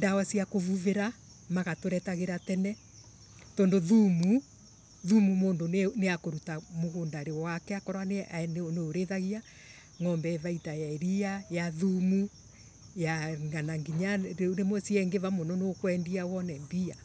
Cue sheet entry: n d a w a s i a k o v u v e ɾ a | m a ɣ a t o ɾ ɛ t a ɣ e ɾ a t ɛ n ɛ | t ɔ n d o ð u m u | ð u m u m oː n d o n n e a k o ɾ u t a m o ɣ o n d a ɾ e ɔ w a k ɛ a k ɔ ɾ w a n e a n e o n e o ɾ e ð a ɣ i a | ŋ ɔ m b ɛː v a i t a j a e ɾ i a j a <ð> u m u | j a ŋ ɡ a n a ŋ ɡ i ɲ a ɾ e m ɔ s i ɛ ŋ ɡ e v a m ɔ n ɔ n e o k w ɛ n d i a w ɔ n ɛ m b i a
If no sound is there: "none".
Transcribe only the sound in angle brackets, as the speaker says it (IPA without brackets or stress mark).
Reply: ð